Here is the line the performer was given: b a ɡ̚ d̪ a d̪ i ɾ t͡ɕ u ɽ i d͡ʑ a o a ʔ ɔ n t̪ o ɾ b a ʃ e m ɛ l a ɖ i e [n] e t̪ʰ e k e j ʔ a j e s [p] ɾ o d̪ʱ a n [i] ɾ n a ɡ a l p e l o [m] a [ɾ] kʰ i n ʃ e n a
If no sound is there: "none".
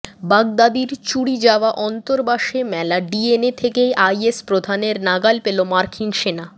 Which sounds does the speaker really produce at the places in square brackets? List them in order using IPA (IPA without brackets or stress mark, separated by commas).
n, p, e, m, ɾ